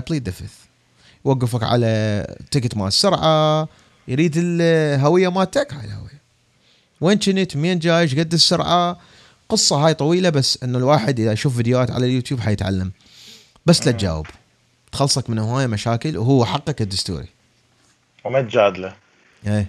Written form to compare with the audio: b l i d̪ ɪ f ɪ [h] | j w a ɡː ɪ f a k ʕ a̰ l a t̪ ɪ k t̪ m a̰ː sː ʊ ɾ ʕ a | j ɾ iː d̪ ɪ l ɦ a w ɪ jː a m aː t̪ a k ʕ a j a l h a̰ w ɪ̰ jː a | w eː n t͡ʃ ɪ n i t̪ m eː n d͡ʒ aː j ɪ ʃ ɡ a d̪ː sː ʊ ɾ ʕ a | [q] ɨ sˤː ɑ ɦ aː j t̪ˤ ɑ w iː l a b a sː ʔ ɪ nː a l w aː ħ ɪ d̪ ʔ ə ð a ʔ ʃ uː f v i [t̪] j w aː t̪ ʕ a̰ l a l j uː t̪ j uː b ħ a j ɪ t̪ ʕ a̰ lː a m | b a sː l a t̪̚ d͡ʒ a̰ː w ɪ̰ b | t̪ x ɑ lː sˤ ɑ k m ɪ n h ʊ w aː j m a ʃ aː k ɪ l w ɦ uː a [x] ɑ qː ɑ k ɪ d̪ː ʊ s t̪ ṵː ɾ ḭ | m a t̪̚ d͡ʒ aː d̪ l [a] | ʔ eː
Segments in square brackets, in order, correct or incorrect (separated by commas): incorrect, correct, incorrect, incorrect, correct